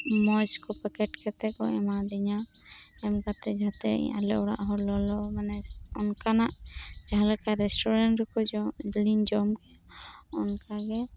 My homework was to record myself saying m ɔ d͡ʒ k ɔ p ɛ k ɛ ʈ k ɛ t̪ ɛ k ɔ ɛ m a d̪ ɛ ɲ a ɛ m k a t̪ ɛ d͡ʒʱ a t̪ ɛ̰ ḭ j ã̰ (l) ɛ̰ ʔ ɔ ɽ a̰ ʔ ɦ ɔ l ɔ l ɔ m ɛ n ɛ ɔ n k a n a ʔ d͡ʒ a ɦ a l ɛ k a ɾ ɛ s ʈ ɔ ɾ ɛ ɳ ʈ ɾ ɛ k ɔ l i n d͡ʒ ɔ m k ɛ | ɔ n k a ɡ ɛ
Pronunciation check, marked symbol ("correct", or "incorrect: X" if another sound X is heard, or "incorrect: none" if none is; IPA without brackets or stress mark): correct